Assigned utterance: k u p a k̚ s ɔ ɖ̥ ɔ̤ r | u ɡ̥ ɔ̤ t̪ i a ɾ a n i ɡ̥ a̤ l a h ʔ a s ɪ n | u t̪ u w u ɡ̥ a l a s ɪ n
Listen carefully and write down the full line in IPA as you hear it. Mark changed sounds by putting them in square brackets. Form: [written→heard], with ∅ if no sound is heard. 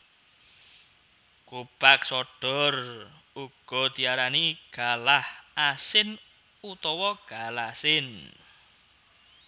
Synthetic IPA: k u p a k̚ s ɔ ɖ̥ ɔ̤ r | u ɡ̥ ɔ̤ t̪ i a ɾ a n i ɡ̥ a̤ l a h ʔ a s ɪ n | u t̪ [u→ɔ] w [u→ɔ] ɡ̥ a l a s ɪ n